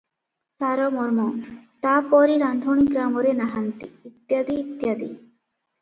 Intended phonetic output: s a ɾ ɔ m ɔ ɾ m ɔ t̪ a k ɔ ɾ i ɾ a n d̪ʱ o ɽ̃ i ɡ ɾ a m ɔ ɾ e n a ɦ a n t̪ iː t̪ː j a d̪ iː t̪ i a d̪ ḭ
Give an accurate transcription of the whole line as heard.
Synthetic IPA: s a ɾ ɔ m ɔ ɾ m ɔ t̪ a p ɔ ɾ i ɾ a n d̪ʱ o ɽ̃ i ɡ ɾ a m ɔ ɾ e n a ɦ a n t̪ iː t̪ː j a d̪ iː t̪ j a d̪ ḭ